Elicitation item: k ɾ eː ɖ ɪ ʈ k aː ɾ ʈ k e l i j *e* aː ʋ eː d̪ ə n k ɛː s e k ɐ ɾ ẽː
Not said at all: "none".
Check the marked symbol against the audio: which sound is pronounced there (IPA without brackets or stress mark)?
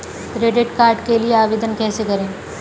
e